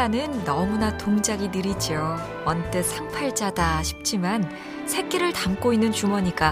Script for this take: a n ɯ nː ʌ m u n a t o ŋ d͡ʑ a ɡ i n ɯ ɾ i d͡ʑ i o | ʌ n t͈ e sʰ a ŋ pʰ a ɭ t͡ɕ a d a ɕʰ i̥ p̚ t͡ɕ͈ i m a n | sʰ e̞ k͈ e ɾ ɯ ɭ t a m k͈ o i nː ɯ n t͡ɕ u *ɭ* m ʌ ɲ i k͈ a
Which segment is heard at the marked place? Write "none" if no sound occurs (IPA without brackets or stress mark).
none